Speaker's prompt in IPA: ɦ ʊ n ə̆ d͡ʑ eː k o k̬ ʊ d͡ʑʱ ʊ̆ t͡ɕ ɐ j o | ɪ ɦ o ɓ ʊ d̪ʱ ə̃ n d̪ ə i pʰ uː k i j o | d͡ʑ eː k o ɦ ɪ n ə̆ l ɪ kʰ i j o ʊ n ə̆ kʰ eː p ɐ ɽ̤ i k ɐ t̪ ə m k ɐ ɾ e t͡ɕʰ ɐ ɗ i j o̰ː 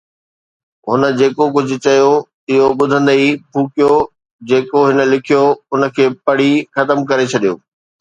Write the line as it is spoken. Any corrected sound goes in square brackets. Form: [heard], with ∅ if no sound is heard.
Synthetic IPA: ɦ ʊ n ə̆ d͡ʑ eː k o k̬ ʊ d͡ʑʱ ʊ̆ t͡ɕ ɐ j o | ɪ ɦ o ɓ ʊ d̪ʱ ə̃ n d̪ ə i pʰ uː k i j o | d͡ʑ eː k o ɦ ɪ n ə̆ l ɪ kʰ i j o ʊ n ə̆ kʰ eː p ɐ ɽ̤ i [x] ɐ t̪ ə m k ɐ ɾ e t͡ɕʰ ɐ ɗ i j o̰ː